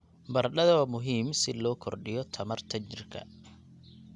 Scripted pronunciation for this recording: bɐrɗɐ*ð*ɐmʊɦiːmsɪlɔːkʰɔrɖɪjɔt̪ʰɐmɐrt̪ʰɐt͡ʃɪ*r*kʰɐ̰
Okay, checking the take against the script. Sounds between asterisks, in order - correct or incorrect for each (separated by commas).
correct, correct